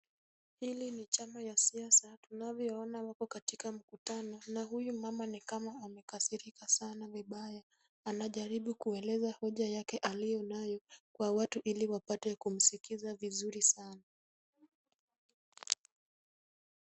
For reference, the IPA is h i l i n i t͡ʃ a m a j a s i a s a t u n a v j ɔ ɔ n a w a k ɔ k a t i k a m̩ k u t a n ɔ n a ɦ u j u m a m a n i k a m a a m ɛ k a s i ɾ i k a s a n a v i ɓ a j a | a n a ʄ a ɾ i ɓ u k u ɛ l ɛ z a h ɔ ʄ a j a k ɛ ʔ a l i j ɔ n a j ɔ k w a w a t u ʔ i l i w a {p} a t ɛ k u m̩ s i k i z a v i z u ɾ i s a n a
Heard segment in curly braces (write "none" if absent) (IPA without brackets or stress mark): p